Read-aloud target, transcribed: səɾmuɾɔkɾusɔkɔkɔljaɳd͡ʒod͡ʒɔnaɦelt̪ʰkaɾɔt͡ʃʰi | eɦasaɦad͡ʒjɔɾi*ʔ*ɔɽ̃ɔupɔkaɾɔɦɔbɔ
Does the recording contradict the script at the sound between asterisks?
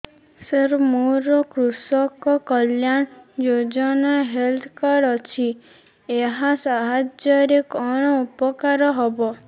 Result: yes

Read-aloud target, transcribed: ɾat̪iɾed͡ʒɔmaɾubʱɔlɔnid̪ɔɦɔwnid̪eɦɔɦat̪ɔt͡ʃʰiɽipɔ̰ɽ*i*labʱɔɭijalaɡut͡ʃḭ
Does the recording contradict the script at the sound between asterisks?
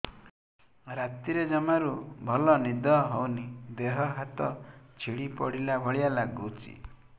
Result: no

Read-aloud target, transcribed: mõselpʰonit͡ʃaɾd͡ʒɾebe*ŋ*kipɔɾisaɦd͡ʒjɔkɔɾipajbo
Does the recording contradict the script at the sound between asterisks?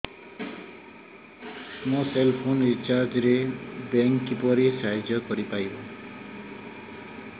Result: no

